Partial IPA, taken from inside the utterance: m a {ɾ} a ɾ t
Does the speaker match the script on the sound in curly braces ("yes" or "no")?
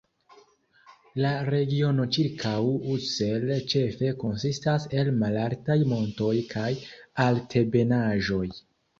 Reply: no